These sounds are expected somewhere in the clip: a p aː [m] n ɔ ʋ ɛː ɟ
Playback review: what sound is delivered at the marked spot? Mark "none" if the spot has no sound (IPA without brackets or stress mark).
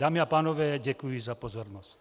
none